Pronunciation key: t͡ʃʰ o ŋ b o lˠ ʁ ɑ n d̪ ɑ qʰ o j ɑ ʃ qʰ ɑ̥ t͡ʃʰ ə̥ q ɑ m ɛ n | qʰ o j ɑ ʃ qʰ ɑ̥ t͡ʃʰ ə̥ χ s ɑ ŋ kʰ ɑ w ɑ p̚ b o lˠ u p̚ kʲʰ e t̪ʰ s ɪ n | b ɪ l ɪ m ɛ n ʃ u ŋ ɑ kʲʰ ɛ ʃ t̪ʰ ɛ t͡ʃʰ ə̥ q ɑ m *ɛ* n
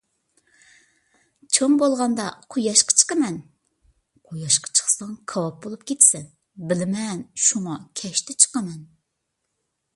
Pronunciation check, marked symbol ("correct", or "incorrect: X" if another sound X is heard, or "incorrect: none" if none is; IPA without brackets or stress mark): correct